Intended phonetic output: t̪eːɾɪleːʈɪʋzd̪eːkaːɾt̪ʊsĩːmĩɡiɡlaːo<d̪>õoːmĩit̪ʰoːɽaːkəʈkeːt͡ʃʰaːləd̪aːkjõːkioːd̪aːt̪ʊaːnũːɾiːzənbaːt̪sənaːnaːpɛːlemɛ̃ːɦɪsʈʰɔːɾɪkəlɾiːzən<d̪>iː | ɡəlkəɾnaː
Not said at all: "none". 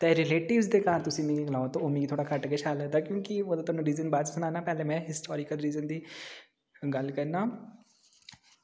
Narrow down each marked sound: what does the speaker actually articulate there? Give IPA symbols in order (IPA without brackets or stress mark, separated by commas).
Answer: t̪, d̪